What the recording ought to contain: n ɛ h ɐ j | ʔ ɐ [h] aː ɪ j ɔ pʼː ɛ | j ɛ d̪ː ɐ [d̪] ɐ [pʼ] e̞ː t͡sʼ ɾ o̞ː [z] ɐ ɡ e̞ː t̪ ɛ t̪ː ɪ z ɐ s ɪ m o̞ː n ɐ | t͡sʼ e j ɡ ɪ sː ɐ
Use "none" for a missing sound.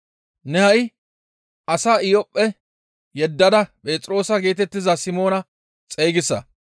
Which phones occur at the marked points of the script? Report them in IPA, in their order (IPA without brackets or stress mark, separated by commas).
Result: s, d̪, pʼ, s